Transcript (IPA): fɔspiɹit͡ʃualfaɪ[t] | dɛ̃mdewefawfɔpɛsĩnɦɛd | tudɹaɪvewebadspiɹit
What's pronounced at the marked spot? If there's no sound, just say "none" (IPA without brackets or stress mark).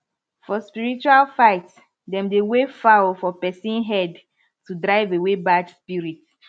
t